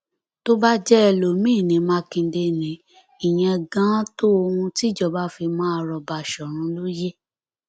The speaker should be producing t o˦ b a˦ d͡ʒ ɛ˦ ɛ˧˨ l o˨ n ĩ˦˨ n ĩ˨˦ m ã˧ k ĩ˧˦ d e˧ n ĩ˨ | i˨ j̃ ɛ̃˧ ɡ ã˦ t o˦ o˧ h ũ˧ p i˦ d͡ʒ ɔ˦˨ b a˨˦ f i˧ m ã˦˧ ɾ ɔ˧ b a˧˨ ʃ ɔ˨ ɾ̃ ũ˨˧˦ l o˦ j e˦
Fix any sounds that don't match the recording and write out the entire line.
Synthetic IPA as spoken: t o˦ b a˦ d͡ʒ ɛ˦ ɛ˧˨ l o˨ m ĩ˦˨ n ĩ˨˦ m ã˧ k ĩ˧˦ d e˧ n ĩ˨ | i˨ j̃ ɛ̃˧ ɡ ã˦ t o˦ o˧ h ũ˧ t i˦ d͡ʒ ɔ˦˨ b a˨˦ f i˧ m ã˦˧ ɾ ɔ˧ b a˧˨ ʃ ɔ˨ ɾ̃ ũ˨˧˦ l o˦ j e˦